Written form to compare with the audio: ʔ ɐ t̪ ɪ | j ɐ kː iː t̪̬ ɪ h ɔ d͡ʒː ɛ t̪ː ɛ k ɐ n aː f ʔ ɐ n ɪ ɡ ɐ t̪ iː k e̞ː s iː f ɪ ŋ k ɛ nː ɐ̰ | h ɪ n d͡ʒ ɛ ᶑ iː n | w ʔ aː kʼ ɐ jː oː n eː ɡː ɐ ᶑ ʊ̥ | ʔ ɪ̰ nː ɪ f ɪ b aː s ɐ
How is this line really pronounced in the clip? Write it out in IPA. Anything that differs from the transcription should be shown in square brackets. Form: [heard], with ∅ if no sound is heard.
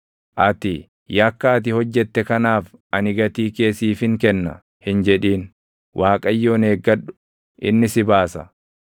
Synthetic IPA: ʔ ɐ t̪ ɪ | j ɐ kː [aː] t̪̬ ɪ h ɔ d͡ʒː ɛ t̪ː ɛ k ɐ n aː f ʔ ɐ n ɪ ɡ ɐ t̪ iː k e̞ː s iː f ɪ ŋ k ɛ nː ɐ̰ | h ɪ n d͡ʒ ɛ ᶑ iː n | w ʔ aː kʼ ɐ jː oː n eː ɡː ɐ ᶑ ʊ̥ | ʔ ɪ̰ nː ɪ [s] ɪ b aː s ɐ